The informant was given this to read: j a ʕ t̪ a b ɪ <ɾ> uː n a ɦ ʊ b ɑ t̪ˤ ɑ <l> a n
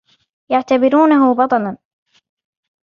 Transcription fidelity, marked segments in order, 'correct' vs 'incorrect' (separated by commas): correct, correct